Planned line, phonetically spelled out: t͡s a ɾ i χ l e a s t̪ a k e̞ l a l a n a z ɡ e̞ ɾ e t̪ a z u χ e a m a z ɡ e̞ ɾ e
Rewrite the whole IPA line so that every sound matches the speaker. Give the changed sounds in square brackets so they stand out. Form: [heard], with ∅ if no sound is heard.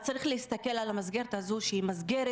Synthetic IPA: t͡s a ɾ i χ l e [i] s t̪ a k e̞ l a l a [m] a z ɡ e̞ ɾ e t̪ a z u [ʃ] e [i] m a z ɡ e̞ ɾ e